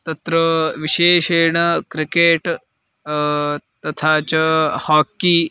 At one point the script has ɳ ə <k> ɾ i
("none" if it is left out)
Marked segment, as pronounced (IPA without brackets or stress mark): k